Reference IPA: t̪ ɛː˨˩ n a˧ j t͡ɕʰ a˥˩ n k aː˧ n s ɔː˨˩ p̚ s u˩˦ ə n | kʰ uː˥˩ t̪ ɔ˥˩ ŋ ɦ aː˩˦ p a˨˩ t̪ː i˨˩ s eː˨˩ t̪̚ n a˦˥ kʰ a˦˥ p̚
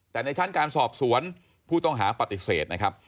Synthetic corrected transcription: t̪ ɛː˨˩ n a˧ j t͡ɕʰ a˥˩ n k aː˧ n s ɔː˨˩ p̚ s u˩˦ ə n | pʰ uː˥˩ t̪ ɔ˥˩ ŋ ɦ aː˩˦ p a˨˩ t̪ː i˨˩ s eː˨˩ t̪̚ n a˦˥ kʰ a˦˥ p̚

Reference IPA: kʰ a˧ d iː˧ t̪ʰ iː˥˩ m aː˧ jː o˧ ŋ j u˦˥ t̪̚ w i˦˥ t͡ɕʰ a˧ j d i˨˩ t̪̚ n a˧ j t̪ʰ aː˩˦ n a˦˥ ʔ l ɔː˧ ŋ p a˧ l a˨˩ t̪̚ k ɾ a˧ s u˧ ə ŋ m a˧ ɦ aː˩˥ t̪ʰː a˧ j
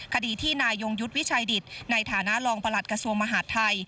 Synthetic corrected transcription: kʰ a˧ d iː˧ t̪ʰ iː˥˩ n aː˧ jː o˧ ŋ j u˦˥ t̪̚ w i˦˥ t͡ɕʰ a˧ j d i˨˩ t̪̚ n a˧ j t̪ʰ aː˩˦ n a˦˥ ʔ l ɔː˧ ŋ p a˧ l a˨˩ t̪̚ k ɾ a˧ s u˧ ə ŋ m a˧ ɦ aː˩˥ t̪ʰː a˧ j

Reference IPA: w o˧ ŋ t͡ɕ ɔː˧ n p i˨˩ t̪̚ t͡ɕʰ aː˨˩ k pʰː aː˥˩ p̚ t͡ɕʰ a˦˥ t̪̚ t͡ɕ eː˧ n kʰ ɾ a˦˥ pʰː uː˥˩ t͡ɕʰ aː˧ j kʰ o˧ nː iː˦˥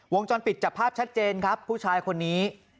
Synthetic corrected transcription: w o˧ ŋ t͡ɕ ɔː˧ n p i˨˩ t̪̚ t͡ɕ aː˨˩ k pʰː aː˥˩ p̚ t͡ɕʰ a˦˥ t̪̚ t͡ɕ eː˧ n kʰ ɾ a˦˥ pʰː uː˥˩ t͡ɕʰ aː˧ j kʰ o˧ nː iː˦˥

